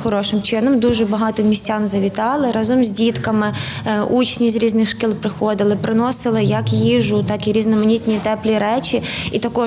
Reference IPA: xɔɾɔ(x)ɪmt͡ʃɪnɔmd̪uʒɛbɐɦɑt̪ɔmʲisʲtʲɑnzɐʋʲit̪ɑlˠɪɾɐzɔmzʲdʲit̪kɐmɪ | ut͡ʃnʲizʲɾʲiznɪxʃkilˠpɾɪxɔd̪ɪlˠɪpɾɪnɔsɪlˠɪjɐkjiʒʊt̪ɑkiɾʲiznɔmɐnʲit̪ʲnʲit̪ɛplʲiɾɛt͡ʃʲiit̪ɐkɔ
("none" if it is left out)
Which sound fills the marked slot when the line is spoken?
ʃ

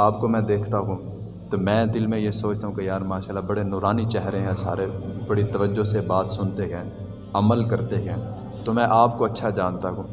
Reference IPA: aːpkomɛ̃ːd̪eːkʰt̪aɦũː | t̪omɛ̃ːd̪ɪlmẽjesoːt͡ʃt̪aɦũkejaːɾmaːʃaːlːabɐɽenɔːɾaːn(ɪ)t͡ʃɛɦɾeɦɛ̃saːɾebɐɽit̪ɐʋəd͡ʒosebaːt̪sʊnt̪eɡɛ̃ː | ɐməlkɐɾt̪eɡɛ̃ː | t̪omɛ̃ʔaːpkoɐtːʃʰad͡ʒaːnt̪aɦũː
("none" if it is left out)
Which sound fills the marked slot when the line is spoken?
i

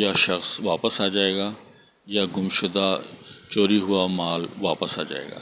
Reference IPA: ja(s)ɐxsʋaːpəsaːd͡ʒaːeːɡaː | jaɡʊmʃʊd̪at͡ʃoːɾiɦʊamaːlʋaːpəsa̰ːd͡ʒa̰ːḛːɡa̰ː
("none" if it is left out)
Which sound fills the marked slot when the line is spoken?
ʃ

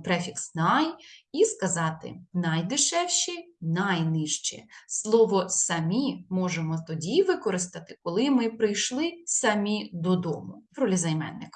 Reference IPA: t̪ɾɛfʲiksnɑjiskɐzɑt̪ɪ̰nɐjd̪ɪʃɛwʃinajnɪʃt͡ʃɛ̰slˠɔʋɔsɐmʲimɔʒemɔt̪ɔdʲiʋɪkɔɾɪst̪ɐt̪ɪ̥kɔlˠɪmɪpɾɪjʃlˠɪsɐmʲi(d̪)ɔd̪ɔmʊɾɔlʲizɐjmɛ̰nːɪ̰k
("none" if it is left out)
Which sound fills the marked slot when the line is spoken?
d̪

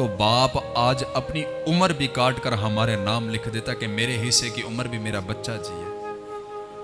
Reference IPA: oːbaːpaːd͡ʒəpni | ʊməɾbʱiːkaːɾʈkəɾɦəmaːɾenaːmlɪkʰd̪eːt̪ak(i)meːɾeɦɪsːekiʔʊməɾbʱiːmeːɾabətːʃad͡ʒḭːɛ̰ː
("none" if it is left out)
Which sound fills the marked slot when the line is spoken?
e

